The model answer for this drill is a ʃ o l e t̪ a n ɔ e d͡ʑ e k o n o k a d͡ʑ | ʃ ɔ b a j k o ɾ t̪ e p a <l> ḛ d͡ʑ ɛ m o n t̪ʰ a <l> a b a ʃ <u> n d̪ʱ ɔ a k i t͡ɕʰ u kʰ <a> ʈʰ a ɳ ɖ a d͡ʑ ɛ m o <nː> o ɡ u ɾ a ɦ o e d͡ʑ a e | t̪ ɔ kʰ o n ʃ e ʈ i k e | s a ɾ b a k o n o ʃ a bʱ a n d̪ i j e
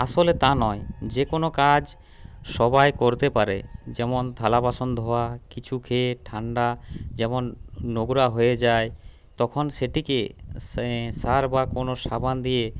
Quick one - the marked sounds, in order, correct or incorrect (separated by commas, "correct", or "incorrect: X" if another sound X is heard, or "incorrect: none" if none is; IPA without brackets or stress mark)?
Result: incorrect: ɾ, correct, incorrect: o, incorrect: e, correct